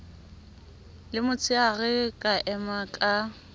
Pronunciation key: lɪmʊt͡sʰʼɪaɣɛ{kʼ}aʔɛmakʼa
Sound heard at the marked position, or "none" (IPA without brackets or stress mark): kʼ